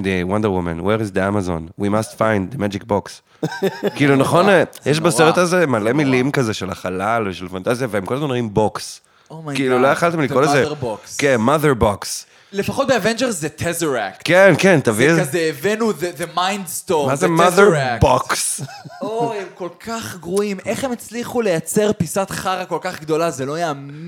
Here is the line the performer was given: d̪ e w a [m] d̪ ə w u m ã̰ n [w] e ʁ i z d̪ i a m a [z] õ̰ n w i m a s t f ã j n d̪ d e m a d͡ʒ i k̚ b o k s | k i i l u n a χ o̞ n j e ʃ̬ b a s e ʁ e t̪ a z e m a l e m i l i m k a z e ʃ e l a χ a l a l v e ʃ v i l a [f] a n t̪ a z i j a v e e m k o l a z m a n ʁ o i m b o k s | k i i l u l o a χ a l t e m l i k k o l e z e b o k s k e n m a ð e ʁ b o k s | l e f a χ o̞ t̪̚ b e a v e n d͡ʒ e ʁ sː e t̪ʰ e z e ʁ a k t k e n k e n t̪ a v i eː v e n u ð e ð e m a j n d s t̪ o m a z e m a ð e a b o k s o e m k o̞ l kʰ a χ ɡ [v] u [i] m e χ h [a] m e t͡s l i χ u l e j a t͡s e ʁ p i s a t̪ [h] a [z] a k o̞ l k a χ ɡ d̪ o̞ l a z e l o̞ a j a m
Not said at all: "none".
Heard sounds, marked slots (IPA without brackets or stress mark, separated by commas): n, w, z, f, ʁ, i, e, χ, ʁ